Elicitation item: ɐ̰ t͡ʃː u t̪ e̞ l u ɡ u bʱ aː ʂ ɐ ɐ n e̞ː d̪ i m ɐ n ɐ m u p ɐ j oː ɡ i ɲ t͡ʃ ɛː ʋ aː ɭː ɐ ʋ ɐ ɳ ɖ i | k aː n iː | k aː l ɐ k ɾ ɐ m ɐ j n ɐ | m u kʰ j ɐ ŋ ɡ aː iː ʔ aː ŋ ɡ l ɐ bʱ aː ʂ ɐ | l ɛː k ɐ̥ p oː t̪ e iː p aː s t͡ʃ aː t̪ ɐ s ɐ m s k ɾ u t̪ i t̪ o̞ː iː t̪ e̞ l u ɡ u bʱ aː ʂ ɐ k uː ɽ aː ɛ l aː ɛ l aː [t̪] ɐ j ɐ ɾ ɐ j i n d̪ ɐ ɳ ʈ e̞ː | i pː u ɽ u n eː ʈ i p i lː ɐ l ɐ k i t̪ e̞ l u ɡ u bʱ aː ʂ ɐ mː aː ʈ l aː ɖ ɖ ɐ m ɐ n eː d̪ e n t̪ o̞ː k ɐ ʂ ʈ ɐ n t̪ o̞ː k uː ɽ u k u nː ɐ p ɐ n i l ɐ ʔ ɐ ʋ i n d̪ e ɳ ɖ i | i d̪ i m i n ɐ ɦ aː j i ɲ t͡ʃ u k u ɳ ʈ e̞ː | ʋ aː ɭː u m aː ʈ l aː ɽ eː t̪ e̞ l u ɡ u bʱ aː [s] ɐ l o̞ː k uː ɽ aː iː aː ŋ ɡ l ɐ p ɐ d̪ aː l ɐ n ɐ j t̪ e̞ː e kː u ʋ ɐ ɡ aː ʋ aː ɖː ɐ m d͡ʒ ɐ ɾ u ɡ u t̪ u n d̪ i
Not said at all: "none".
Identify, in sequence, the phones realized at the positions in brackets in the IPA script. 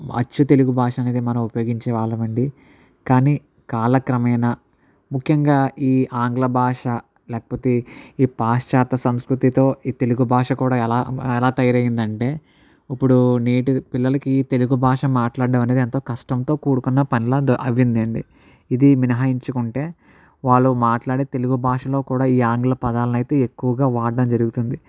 t̪, ʂ

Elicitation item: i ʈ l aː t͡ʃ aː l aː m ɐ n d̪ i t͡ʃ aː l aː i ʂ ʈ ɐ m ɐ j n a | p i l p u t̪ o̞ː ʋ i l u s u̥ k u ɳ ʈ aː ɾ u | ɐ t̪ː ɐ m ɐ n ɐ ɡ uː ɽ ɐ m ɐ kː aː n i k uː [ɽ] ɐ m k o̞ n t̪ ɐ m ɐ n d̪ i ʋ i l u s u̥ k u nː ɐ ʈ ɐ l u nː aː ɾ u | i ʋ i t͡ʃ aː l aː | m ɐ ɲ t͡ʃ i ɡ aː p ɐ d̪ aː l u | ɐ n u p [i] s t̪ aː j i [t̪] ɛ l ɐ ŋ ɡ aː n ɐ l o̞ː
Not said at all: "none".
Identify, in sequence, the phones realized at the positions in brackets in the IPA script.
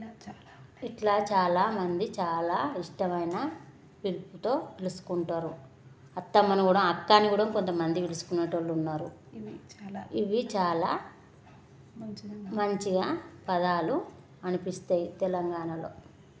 ɽ, i, t̪

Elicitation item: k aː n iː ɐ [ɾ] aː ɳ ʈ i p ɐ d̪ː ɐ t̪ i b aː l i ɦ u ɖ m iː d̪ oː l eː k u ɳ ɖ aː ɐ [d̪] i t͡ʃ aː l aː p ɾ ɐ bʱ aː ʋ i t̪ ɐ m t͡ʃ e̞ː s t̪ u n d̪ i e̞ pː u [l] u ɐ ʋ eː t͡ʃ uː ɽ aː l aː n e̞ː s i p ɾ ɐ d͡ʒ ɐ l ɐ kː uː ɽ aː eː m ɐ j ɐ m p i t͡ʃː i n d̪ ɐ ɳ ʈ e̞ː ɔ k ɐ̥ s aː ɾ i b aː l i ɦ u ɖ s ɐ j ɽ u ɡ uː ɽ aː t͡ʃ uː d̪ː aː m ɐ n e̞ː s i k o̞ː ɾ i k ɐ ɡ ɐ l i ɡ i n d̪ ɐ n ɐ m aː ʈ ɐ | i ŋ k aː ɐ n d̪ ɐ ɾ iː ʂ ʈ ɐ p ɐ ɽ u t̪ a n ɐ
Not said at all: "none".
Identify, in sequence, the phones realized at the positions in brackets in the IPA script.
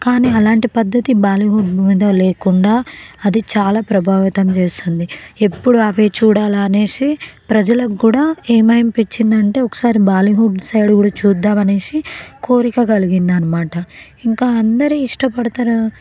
l, d̪, ɽ

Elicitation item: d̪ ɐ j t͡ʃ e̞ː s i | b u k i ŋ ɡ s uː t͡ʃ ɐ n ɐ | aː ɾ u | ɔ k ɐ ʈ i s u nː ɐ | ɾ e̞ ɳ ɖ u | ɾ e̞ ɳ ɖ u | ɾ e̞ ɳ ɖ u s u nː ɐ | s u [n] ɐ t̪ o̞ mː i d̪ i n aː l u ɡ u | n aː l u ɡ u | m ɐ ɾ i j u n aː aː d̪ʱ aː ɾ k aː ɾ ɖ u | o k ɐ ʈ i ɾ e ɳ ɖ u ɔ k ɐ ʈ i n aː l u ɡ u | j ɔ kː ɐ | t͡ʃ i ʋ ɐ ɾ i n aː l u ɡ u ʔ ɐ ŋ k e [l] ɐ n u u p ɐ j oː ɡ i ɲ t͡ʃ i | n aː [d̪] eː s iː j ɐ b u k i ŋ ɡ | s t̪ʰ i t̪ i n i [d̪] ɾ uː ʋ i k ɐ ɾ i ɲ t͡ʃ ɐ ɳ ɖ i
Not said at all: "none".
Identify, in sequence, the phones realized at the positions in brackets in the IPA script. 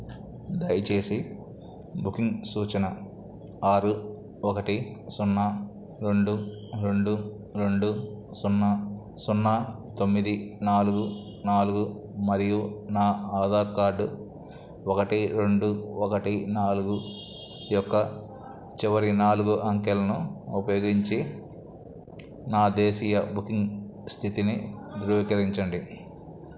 nː, l, d̪, d̪

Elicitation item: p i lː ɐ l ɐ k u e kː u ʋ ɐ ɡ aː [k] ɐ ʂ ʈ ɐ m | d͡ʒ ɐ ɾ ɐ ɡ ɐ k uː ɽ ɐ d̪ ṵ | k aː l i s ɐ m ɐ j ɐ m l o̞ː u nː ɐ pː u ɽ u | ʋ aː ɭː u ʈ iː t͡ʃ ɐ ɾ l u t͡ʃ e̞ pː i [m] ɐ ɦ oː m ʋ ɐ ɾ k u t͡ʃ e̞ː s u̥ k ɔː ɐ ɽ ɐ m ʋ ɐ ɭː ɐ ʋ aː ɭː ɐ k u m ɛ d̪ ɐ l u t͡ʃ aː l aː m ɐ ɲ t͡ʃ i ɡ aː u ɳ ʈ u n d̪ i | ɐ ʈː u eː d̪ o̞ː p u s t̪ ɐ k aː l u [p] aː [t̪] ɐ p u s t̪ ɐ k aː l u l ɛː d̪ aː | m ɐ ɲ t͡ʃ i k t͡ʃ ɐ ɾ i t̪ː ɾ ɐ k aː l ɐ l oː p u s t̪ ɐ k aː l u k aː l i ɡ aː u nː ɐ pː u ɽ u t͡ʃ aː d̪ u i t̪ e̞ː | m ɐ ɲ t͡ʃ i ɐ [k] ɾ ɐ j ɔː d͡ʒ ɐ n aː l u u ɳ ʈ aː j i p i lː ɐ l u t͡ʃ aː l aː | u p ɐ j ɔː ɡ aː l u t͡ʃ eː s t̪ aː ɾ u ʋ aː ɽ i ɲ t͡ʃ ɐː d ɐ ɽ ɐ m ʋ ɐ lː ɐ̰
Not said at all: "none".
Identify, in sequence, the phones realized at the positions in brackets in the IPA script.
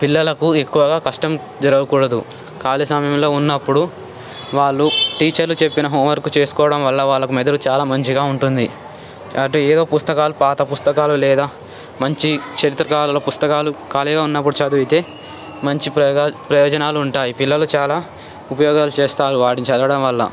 k, n, p, t̪, p

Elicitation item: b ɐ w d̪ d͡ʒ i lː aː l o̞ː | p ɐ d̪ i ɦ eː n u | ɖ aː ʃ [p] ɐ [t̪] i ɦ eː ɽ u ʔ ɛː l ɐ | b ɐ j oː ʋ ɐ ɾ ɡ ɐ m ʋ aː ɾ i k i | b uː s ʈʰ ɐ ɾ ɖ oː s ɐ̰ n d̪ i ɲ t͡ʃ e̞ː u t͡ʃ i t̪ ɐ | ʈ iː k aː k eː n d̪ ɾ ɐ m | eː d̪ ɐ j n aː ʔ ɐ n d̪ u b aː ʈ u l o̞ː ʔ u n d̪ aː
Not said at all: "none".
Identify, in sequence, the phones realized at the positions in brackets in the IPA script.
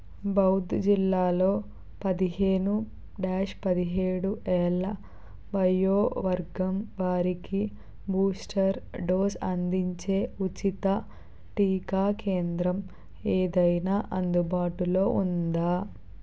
p, d̪

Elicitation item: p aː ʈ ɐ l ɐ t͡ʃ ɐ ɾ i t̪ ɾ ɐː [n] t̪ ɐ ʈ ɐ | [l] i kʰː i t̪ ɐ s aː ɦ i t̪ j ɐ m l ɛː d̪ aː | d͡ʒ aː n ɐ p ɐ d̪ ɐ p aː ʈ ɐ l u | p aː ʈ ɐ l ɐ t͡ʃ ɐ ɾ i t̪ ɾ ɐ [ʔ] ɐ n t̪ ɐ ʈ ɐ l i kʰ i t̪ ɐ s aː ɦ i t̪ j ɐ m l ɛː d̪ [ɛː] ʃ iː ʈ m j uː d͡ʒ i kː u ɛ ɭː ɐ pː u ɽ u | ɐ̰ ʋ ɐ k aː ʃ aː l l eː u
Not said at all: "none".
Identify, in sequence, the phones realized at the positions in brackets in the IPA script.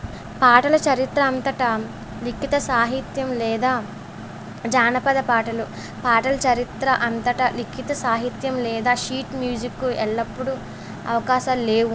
n, l, ʔ, aː

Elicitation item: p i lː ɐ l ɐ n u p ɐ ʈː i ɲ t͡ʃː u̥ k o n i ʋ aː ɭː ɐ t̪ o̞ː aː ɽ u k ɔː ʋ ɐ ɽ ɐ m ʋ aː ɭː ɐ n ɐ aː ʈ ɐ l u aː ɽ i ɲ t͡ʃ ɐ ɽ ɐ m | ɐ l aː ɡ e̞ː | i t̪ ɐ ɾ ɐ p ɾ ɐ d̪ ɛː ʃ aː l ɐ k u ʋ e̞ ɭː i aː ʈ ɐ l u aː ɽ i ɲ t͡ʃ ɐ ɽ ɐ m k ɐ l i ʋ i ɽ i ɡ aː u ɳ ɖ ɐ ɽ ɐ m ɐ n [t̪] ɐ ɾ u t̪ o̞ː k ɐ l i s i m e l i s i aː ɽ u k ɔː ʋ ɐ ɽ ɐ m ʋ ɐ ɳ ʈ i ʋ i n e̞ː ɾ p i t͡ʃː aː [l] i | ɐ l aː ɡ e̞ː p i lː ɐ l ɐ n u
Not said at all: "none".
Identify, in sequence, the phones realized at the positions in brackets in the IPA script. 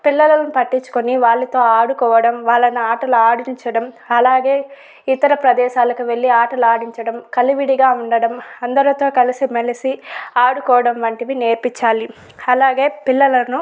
d̪, l

